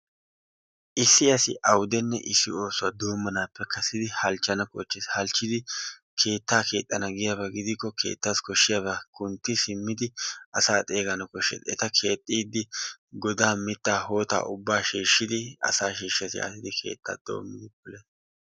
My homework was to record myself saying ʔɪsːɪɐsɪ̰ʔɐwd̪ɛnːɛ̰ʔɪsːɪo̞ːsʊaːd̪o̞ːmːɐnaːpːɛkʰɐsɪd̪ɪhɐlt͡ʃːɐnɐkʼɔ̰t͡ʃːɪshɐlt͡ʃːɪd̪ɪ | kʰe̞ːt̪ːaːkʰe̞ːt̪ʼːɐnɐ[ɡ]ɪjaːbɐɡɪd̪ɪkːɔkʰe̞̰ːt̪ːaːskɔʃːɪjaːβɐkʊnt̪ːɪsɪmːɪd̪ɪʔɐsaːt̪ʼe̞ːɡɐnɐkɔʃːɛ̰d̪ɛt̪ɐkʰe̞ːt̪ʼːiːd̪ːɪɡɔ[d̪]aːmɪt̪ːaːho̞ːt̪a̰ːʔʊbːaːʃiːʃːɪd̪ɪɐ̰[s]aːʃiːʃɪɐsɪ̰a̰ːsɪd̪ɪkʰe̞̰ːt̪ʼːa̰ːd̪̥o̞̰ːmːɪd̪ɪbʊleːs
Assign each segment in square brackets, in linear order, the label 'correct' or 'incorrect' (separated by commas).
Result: correct, correct, correct